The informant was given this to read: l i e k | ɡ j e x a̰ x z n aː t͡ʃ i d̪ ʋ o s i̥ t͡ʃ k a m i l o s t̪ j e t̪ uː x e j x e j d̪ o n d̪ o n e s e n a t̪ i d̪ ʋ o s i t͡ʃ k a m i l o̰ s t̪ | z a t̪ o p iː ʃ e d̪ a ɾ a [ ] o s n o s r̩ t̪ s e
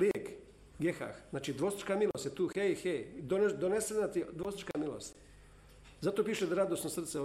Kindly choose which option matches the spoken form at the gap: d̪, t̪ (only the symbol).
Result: d̪